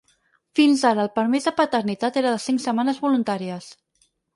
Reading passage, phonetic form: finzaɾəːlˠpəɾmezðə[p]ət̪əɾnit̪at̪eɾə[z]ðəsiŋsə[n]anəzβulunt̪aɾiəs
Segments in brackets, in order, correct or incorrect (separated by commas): correct, incorrect, incorrect